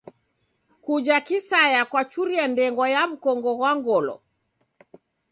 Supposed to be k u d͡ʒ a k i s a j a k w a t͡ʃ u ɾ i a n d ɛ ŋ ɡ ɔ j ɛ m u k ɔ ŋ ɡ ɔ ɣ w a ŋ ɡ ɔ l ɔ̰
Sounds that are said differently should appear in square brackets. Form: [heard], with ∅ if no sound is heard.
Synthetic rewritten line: k u d͡ʒ a k i s a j a k w a t͡ʃ u ɾ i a n d ɛ ŋ ɡ ɔ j [a] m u k ɔ ŋ ɡ ɔ ɣ w a ŋ ɡ ɔ l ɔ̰